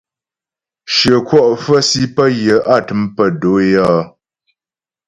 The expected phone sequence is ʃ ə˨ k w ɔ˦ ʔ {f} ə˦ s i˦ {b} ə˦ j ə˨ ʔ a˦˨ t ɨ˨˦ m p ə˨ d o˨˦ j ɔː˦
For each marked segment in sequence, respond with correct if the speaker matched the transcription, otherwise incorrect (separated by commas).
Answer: correct, incorrect